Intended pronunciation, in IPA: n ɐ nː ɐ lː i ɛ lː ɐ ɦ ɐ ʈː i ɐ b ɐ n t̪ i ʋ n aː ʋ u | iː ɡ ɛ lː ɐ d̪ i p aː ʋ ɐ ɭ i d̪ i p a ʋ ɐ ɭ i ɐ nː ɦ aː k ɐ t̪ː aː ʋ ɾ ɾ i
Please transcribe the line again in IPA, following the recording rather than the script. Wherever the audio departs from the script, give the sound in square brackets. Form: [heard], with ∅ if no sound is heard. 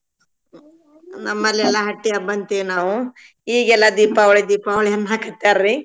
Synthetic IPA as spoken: n ɐ [mː] ɐ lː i ɛ lː ɐ ɦ ɐ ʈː i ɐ b ɐ n t̪ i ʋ n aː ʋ u | iː ɡ ɛ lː ɐ d̪ [iː] p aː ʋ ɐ ɭ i d̪ [iː] p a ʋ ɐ ɭ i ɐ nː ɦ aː k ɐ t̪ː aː [∅] ɾ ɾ i